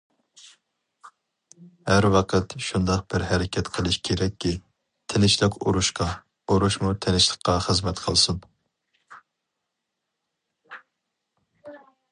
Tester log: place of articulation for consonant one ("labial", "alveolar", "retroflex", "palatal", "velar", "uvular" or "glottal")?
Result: glottal